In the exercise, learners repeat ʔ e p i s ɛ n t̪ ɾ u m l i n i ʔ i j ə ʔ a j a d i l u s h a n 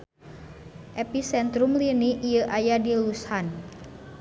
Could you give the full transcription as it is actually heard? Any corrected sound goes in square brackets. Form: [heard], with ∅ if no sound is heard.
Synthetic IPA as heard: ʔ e p i s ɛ n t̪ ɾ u m l i n i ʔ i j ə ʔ a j a d i l u s h a n